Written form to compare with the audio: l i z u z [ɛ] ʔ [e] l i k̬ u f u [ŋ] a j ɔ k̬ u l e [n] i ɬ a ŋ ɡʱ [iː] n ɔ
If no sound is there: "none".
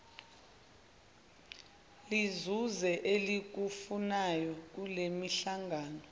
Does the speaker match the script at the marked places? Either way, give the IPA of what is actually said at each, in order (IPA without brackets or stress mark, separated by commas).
ɛ, e, n, m, aː